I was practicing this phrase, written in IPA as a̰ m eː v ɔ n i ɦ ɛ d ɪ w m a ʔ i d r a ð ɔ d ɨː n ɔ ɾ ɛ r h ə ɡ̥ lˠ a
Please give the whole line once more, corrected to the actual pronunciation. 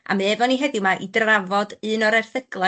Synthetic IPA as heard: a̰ m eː v ɔ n i ɦ ɛ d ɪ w m a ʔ i d r a v ɔ d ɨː n ɔ ɾ ɛ r θ ə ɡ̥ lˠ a